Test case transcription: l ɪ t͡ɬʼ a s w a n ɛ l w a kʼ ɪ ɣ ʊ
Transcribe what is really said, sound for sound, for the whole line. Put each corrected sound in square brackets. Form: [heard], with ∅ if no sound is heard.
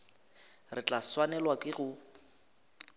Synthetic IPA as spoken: [r] ɪ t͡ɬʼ a s w a n ɛ l w a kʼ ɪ ɣ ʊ